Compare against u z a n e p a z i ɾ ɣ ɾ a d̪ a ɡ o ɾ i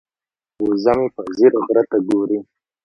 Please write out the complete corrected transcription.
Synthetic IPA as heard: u z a m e p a z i ɾ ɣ ɾ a t̪ a ɡ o ɾ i